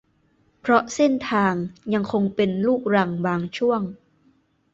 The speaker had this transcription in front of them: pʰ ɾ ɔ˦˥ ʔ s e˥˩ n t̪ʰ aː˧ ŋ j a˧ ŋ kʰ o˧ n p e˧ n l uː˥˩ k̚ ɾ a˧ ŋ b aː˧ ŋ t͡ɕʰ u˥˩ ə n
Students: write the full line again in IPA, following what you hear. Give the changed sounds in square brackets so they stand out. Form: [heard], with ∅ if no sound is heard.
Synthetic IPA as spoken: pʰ ɾ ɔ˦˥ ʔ s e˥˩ n t̪ʰ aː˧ ŋ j a˧ ŋ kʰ o˧ [ŋ] p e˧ n l uː˥˩ k̚ ɾ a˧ ŋ b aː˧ ŋ t͡ɕʰ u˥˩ ə [ŋ]